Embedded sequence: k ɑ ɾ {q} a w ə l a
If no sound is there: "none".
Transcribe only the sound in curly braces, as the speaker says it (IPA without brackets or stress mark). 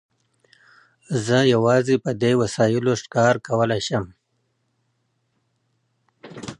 k